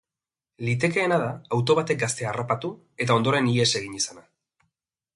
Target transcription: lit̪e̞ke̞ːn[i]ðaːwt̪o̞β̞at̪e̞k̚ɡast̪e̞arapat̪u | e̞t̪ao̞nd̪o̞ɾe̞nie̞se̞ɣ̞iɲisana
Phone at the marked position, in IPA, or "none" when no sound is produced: a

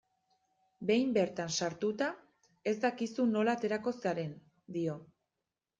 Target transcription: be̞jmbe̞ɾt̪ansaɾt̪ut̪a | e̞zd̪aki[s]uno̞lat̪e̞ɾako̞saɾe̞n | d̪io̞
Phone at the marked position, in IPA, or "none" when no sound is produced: s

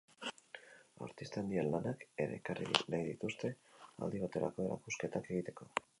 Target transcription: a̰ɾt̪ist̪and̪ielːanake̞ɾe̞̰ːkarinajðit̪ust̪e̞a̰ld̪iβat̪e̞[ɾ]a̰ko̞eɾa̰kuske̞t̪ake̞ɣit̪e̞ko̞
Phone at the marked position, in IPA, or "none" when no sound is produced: ɾ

